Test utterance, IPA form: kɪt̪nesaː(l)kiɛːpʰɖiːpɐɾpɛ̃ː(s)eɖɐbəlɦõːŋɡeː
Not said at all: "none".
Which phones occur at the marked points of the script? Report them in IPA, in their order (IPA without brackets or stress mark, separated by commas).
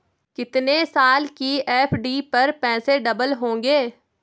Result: l, s